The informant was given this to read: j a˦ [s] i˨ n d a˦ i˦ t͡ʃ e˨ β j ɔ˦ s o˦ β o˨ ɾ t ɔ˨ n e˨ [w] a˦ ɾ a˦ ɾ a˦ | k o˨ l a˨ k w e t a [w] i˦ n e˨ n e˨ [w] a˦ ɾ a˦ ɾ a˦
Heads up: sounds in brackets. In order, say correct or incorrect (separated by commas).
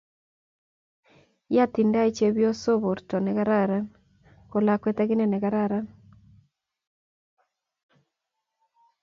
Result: incorrect, incorrect, incorrect, incorrect